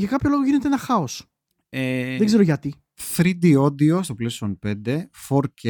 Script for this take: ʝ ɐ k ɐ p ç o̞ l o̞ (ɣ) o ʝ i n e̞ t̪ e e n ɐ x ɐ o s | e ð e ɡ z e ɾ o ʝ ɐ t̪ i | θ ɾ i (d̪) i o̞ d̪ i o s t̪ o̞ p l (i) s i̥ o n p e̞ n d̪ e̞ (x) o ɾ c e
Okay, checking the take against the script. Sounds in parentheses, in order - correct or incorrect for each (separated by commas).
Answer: correct, correct, incorrect, incorrect